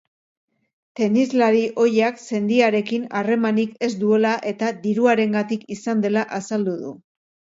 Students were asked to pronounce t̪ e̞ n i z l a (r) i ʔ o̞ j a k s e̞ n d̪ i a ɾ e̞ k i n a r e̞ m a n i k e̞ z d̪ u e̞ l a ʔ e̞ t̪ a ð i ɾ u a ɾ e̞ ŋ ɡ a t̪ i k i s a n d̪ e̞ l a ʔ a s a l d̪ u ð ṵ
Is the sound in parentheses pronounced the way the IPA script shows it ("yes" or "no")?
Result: no